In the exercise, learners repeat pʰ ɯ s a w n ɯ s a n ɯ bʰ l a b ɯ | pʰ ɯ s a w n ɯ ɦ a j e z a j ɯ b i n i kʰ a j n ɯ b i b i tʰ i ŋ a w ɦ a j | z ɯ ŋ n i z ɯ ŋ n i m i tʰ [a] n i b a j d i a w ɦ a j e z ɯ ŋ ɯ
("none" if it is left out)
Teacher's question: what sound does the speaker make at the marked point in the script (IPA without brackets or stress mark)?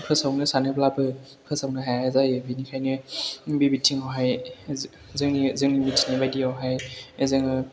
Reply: i